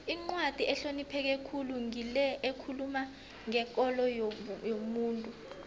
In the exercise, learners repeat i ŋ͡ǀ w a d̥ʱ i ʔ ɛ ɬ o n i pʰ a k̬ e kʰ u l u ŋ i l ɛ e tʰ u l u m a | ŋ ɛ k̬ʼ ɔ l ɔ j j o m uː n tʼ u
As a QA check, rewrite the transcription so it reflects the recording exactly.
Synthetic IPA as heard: i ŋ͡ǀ w a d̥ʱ i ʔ ɛ ɬ o n i pʰ ɛ k̬ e kʰ u l u ŋ i l ɛ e kʰ u l u m a | ŋ ɛ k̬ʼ ɔ l ɔ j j o m uː n tʼ u